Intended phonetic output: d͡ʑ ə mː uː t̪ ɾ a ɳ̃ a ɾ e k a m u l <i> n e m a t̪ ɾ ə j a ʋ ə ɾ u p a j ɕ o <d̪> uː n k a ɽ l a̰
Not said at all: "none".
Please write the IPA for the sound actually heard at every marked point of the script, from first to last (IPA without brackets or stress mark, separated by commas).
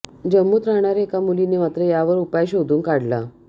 i, d̪